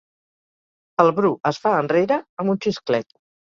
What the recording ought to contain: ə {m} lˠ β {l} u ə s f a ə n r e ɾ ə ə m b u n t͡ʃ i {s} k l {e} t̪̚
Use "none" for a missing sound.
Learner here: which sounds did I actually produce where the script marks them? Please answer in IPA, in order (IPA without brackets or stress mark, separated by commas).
none, ɾ, s, ɛ